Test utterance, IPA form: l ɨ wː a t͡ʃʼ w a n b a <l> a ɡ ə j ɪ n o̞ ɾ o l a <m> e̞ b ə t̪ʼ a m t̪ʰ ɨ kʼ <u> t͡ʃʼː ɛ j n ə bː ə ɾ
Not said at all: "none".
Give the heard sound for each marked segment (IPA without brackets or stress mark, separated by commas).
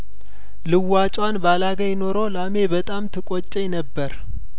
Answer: l, m, o